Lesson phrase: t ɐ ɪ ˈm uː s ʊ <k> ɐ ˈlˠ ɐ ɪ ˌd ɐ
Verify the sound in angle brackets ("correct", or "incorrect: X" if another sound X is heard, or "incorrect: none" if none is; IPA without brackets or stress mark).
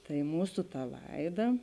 incorrect: t